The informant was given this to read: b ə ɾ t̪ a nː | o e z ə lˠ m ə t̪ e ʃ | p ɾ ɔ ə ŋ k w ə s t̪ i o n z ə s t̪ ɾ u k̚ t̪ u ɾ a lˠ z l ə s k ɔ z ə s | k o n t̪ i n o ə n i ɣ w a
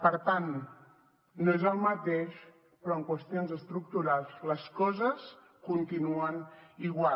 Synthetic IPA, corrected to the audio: p ə ɾ t̪ a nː | o e z ə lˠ m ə t̪ e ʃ | p ɾ ɔ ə ŋ k w ə s t̪ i o n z ə s t̪ ɾ u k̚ t̪ u ɾ a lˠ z l ə s k ɔ z ə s | k u n t̪ i n u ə n i ɣ w a